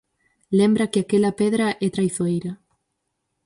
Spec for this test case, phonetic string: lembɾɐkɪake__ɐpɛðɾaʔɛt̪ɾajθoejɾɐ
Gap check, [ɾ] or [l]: l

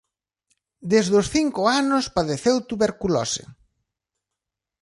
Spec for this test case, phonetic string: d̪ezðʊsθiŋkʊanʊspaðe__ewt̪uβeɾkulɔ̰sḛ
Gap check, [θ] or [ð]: θ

